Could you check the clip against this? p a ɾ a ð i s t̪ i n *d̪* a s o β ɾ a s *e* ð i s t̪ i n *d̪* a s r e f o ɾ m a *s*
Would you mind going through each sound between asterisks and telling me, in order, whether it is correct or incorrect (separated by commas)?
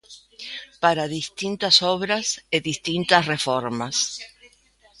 incorrect, correct, incorrect, correct